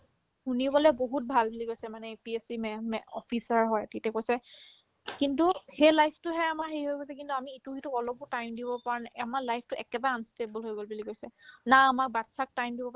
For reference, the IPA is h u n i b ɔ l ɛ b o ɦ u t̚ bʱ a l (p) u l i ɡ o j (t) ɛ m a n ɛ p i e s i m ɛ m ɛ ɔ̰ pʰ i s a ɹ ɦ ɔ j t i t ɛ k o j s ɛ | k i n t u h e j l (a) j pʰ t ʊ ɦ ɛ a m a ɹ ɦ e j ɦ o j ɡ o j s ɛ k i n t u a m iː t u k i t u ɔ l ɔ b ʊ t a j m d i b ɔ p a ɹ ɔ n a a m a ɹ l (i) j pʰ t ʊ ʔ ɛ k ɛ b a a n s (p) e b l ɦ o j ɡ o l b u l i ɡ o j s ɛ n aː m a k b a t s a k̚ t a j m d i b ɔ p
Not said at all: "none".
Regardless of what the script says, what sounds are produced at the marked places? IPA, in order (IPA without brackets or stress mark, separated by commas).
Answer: b, s, a, a, t